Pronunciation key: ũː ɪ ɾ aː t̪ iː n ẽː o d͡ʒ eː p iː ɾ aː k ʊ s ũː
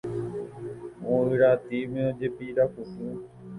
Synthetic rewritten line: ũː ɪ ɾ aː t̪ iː m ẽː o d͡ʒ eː p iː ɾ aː k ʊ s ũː